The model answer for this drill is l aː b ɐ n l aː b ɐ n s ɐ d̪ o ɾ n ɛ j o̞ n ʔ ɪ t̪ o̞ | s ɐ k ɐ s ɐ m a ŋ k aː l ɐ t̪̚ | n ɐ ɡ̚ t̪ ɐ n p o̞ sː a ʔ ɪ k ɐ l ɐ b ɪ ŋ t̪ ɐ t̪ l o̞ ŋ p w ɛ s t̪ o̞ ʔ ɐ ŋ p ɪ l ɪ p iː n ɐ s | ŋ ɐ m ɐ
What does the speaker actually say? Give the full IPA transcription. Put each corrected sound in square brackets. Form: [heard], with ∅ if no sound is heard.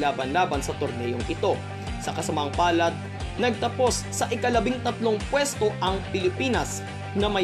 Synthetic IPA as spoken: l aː b ɐ n l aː b ɐ n s ɐ [t̪] o ɾ n ɛ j o̞ [ŋ] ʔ ɪ t̪ o̞ | s ɐ k ɐ s ɐ m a ŋ [p] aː l ɐ t̪̚ | n ɐ ɡ̚ t̪ ɐ [∅] p o̞ sː [ɐ] ʔ ɪ k ɐ l ɐ b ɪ ŋ t̪ ɐ t̪ l o̞ ŋ p w ɛ s t̪ o̞ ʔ ɐ ŋ p ɪ l ɪ p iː n ɐ s | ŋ ɐ m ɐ